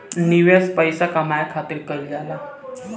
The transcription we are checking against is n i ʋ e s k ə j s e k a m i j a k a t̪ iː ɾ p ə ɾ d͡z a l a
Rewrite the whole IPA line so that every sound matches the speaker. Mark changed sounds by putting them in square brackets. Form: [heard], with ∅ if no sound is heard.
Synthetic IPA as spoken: n i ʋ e s [p] ə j s [a] k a m [a] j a [kʰ] a t̪ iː ɾ [k] ə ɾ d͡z a l a